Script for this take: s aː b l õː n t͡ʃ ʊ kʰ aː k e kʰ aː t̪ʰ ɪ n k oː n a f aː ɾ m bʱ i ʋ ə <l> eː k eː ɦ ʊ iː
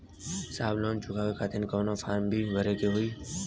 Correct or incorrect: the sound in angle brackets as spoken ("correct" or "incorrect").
incorrect